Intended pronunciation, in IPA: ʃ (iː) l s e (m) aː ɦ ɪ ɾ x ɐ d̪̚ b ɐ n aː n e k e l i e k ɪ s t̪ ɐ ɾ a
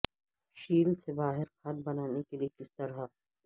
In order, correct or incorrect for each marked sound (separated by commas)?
correct, incorrect